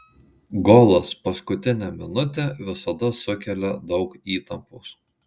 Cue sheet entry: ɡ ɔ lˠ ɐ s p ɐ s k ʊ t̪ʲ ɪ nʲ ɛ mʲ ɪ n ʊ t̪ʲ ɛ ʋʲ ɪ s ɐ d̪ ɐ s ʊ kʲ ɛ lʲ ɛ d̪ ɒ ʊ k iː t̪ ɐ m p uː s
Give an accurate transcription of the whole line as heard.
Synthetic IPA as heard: ɡ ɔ lˠ ɐ s p ɐ s k ʊ t̪ʲ ɪ nʲ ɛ mʲ ɪ n ʊ t̪ʲ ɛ ʋʲ ɪ s ɐ d̪ ɐ s ʊ kʲ ɛ lʲ ɛ d̪ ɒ ʊ k iː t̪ ɐ m p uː s